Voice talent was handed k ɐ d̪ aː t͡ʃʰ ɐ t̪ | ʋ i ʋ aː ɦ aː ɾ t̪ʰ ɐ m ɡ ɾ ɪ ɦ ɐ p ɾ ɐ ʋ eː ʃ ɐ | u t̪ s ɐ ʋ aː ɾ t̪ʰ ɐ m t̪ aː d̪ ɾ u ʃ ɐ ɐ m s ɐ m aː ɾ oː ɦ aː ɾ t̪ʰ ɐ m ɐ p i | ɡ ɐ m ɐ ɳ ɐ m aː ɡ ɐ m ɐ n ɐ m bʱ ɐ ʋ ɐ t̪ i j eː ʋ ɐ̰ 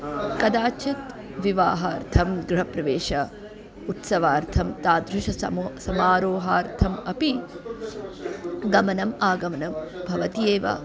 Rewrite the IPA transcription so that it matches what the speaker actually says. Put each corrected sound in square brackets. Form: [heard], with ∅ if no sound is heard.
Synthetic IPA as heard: k ɐ d̪ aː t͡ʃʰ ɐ t̪ | ʋ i ʋ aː ɦ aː ɾ t̪ʰ ɐ m ɡ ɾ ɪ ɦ ɐ p ɾ ɐ ʋ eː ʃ ɐ | u t̪ s ɐ ʋ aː ɾ t̪ʰ ɐ m t̪ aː d̪ ɾ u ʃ ɐ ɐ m s ɐ m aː ɾ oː ɦ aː ɾ t̪ʰ ɐ m ɐ p i | ɡ ɐ m ɐ [n] ɐ m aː ɡ ɐ m ɐ n ɐ m bʱ ɐ ʋ ɐ t̪ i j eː ʋ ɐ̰